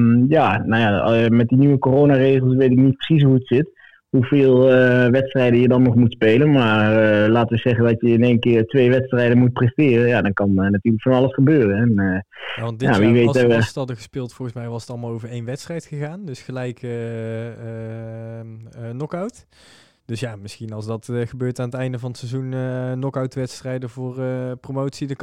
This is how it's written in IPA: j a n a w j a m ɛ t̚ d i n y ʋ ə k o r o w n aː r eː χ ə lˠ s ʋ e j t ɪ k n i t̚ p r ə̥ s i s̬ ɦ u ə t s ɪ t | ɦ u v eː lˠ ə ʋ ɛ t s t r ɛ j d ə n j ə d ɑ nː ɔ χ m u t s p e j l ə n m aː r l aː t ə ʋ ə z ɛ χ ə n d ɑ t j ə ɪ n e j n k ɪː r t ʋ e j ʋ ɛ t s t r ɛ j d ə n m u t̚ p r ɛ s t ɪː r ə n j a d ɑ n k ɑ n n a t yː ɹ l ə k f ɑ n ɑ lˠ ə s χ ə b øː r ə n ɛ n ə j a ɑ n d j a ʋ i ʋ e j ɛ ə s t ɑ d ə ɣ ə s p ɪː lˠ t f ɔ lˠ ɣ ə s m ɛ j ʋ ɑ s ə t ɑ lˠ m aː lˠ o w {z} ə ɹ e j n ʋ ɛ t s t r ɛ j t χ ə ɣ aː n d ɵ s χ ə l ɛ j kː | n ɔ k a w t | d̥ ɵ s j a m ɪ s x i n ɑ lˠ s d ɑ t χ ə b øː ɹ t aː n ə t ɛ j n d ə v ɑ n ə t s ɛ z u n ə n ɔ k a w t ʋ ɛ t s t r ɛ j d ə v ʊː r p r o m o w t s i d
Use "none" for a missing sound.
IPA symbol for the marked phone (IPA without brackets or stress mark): v